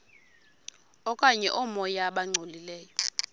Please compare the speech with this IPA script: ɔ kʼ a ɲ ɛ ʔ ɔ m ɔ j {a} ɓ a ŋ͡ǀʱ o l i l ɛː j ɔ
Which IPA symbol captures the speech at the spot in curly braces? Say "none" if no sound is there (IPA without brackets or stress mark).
a